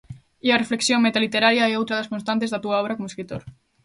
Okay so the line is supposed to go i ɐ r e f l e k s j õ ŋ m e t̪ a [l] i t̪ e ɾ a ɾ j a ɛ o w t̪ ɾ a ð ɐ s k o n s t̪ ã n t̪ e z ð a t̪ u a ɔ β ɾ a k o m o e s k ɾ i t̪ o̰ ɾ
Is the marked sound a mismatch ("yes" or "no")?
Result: no